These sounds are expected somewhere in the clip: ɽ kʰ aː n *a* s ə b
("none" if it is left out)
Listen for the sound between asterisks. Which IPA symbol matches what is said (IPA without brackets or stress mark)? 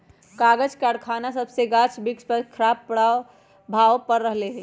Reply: a